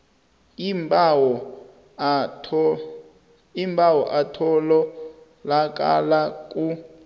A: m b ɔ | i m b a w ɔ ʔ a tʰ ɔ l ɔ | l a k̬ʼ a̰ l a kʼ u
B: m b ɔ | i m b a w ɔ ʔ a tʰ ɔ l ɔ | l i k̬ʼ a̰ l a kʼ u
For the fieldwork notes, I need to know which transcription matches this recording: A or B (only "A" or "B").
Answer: A